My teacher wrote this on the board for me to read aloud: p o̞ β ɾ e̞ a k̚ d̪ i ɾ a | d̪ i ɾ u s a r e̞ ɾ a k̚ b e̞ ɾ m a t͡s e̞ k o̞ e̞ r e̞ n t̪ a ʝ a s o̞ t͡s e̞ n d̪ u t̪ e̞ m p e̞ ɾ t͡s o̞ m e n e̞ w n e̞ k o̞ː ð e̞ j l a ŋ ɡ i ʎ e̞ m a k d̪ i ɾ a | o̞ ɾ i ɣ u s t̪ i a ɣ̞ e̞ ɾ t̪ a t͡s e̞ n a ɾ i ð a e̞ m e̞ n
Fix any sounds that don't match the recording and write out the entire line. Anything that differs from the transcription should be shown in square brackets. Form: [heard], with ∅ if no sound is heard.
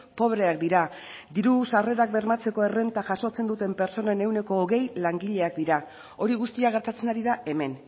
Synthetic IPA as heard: p o̞ β ɾ e̞ a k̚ d̪ i ɾ a | d̪ i ɾ u s a r e̞ ɾ a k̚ b e̞ ɾ m a t͡s e̞ k o̞ e̞ r e̞ n t̪ a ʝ a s o̞ t͡s e̞ n d̪ u t̪ e̞ m p e̞ ɾ t͡s o̞ [n] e n e̞ w n e̞ k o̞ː [ɣ] e̞ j l a ŋ ɡ i ʎ e̞ [∅] a k d̪ i ɾ a | o̞ ɾ i ɣ u s t̪ i a ɣ̞ e̞ ɾ t̪ a t͡s e̞ n a ɾ i ð a e̞ m e̞ n

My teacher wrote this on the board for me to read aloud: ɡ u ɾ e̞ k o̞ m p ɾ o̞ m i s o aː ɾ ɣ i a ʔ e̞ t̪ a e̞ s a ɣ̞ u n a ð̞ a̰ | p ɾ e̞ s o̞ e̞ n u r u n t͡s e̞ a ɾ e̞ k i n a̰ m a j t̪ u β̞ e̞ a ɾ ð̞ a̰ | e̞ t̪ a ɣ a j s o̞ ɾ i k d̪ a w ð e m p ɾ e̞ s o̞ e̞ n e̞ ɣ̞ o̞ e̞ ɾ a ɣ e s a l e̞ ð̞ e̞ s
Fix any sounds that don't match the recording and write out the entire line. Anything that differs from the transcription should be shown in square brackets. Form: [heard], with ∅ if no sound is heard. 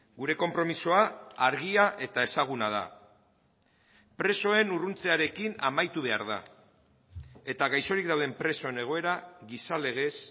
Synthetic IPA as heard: ɡ u ɾ e̞ k o̞ m p ɾ o̞ m i s o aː ɾ ɣ i a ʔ e̞ t̪ a e̞ s a ɣ̞ u n a ð̞ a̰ | p ɾ e̞ s o̞ e̞ n u r u n t͡s e̞ a ɾ e̞ k i n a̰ m a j t̪ u β̞ e̞ a ɾ ð̞ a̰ | e̞ t̪ a ɣ a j s o̞ ɾ i k d̪ a w ð e m p ɾ e̞ s o̞ e̞ n e̞ ɣ̞ o̞ e̞ ɾ a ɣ [i] s a l e̞ [ɣ̞] e̞ s

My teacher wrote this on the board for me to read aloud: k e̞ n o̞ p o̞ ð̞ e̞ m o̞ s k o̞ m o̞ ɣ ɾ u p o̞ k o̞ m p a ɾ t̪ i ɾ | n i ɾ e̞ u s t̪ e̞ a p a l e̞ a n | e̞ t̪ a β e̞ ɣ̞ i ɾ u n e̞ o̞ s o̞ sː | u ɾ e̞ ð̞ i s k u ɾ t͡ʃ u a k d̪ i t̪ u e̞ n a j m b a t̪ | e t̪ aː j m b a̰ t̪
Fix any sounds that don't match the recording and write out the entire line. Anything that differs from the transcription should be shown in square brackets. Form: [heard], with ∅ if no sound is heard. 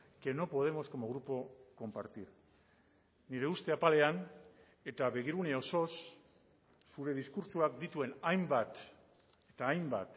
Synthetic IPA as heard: k e̞ n o̞ p o̞ ð̞ e̞ m o̞ s k o̞ m o̞ ɣ ɾ u p o̞ k o̞ m p a ɾ t̪ i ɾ | n i ɾ e̞ u s t̪ e̞ a p a l e̞ a n | e̞ t̪ a β e̞ ɣ̞ i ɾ u n e̞ o̞ s o̞ sː | u ɾ e̞ ð̞ i s k u ɾ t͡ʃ u a k d̪ i t̪ u e̞ n a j m b a t̪ | e t̪ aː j m b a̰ t̪

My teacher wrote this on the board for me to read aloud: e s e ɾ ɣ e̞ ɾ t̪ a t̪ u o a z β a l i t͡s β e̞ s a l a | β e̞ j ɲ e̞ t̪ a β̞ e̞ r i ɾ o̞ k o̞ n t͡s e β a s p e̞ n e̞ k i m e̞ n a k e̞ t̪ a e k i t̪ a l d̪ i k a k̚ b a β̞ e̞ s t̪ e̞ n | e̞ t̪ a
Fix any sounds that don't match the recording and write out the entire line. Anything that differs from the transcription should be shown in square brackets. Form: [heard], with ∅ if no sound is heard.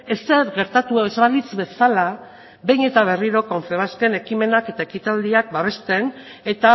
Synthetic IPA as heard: e s e ɾ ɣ e̞ ɾ t̪ a t̪ u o [e] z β a l i t͡s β e̞ s a l a | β e̞ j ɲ e̞ t̪ a β̞ e̞ r i ɾ o̞ k o̞ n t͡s e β a s [k] e̞ n e̞ k i m e̞ n a k e̞ t̪ a e k i t̪ a l d̪ i [∅] a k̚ b a β̞ e̞ s t̪ e̞ n | e̞ t̪ a

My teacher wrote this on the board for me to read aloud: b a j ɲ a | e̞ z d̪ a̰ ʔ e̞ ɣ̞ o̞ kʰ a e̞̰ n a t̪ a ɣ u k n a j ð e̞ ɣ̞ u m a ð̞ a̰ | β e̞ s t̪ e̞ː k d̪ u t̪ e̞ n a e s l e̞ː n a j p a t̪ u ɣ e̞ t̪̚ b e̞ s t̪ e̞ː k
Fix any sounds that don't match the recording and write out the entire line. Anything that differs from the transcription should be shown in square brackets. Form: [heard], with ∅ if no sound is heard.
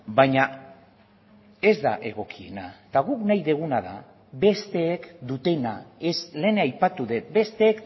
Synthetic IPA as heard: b a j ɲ a | e̞ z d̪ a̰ ʔ e̞ ɣ̞ o̞ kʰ [i] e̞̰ n a t̪ a ɣ u k n a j ð e̞ ɣ̞ u [n] a ð̞ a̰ | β e̞ s t̪ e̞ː k d̪ u t̪ e̞ n a e s l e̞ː n a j p a t̪ u [ð] e̞ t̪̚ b e̞ s t̪ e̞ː k

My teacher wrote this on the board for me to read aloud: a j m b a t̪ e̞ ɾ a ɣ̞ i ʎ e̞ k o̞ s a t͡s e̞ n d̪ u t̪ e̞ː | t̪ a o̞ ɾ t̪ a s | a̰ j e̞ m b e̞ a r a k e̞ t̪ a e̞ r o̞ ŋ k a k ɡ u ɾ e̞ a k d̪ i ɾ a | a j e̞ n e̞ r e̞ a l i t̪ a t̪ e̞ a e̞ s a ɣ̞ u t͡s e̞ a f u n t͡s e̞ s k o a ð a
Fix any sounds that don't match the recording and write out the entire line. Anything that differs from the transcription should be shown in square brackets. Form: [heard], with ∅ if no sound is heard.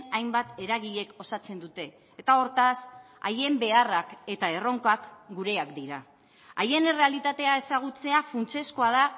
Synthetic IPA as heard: a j m b a t̪ e̞ ɾ a ɣ̞ i ʎ e̞ k o̞ s a t͡s e̞ n d̪ u t̪ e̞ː | t̪ a o̞ ɾ t̪ a s | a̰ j e̞ m b e̞ a r a k e̞ t̪ a e̞ r o̞ ŋ k a k ɡ u ɾ e̞ a k d̪ i ɾ a | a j e̞ n e̞ r e̞ a l i t̪ a t̪ e̞ a e̞ s a ɣ̞ u t͡s e̞ a f u n t͡s e̞ s k o a ð a

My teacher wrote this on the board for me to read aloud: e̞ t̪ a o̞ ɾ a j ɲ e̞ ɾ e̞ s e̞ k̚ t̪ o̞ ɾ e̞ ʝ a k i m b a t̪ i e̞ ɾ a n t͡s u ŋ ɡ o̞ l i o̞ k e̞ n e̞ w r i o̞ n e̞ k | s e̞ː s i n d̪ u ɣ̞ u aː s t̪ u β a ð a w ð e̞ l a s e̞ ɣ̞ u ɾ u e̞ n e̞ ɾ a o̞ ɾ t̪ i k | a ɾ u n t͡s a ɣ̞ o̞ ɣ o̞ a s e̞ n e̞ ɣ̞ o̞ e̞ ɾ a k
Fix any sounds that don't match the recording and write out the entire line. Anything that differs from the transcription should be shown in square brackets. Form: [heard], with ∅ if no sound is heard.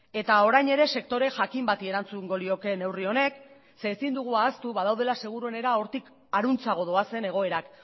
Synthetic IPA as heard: e̞ t̪ a o̞ ɾ a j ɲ e̞ ɾ e̞ s e̞ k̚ t̪ o̞ ɾ e̞ ʝ a k i m b a t̪ i e̞ ɾ a n t͡s u ŋ ɡ o̞ l i o̞ k e̞ n e̞ w r i o̞ n e̞ k | s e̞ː s i n d̪ u ɣ̞ u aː s t̪ u β a ð a w ð e̞ l a s e̞ ɣ̞ u ɾ u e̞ n e̞ ɾ a o̞ ɾ t̪ i k | a ɾ u n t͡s a ɣ̞ o̞ [ð] o̞ a s e̞ n e̞ ɣ̞ o̞ e̞ ɾ a k

